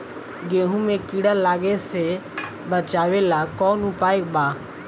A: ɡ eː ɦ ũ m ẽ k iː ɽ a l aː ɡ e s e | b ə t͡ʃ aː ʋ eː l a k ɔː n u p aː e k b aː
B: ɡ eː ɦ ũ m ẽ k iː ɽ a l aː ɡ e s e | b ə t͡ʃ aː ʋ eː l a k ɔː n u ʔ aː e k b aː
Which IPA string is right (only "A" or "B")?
A